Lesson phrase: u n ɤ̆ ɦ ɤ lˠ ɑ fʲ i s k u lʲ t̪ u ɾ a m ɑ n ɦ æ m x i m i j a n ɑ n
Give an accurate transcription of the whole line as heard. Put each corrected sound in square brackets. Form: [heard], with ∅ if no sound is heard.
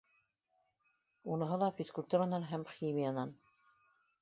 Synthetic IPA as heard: u n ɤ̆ ɦ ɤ lˠ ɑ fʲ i s k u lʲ t̪ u ɾ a [n] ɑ n ɦ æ m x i m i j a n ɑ n

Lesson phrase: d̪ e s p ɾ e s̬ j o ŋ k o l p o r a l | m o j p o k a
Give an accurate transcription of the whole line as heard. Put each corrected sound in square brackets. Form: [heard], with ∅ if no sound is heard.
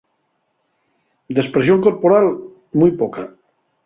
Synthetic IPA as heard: d̪ e s p ɾ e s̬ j o ŋ k o [ɾ] p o [ɾ] a l | m [u] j p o k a

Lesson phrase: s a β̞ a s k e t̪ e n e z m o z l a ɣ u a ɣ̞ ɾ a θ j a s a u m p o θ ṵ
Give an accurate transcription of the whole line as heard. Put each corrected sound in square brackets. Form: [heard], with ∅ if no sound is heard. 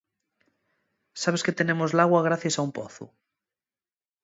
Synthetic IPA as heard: s a β̞ [e] s k e t̪ e n e [∅] m o z l a ɣ [w] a ɣ̞ ɾ a θ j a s a u m p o θ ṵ

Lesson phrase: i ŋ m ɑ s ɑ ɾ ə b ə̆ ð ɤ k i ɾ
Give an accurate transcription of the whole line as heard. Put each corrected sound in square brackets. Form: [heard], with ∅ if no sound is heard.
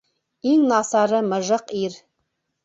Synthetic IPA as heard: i ŋ [n] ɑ s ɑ ɾ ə [m] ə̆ [ʒ] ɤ [q] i ɾ

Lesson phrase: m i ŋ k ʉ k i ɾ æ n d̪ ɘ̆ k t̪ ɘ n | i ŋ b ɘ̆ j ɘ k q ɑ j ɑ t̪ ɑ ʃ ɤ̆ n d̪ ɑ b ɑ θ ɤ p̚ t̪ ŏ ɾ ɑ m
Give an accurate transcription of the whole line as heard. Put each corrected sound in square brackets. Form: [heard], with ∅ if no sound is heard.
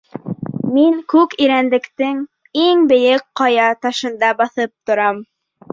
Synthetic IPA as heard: m i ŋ k ʉ k i ɾ æ n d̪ ɘ̆ k t̪ ɘ [ŋ] | i ŋ b ɘ̆ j ɘ k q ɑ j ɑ t̪ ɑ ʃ ɤ̆ n d̪ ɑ b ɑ θ ɤ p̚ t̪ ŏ ɾ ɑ m

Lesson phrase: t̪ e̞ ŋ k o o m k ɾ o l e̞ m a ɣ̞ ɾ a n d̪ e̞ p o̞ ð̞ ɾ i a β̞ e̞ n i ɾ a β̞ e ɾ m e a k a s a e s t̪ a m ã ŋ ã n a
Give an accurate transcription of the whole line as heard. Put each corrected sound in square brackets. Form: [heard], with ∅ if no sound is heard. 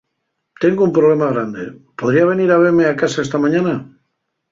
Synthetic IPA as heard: t̪ e̞ ŋ [ɡ] o [u] m [p] ɾ o l e̞ m a ɣ̞ ɾ a n d̪ e̞ p o̞ ð̞ ɾ i a β̞ e̞ n i ɾ a β̞ e ɾ m e a k a s a e s t̪ a m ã [ɲ] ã n a

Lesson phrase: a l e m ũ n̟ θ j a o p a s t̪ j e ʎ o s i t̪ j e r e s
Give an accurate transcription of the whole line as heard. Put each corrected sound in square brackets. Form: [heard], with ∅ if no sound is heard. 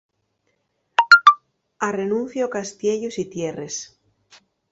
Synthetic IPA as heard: a [r] e [n] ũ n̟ θ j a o [k] a s t̪ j e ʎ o s i t̪ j e r e s

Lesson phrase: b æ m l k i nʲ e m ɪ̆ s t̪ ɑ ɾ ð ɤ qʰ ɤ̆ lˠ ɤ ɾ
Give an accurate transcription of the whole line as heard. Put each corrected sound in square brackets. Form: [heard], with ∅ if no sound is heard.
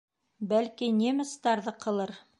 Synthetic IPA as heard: b æ [∅] l k i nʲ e m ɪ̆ s t̪ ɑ ɾ ð ɤ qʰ ɤ̆ lˠ ɤ ɾ

